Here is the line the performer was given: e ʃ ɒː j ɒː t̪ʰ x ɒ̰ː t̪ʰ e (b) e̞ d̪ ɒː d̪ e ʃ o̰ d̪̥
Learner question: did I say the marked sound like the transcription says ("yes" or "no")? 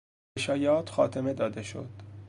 no